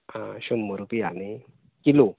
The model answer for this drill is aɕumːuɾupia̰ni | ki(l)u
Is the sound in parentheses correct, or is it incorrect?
correct